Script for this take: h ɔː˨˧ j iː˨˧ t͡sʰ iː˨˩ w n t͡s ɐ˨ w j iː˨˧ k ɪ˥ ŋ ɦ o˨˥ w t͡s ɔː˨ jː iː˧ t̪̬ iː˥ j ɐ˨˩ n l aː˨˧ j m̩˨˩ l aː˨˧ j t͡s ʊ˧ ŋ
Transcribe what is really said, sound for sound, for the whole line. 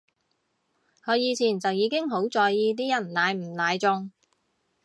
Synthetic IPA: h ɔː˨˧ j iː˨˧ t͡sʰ iː˨˩ n t͡s ɐ˨ w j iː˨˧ k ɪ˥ ŋ ɦ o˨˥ w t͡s ɔː˨ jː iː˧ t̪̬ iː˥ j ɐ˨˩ n l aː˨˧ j m̩˨˩ l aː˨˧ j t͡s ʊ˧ ŋ